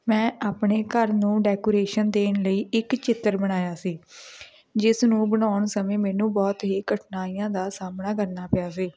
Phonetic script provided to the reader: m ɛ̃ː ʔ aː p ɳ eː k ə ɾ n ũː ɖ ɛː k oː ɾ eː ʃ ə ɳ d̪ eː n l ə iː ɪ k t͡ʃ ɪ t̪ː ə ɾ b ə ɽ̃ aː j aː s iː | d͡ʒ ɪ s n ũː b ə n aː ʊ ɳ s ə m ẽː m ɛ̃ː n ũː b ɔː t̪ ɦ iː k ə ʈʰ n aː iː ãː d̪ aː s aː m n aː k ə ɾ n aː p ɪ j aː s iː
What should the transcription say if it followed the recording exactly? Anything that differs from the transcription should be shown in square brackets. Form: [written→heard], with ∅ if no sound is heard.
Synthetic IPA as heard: m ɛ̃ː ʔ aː p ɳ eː k ə ɾ n ũː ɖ ɛː k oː ɾ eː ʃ ə [ɳ→n] d̪ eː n l ə iː ɪ k t͡ʃ ɪ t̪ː ə ɾ b ə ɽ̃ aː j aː s iː | d͡ʒ ɪ s n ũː b ə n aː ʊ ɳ s ə m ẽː m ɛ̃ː n ũː b ɔː t̪ ɦ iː k ə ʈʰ n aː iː ãː d̪ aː s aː m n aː k ə ɾ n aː p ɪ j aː s iː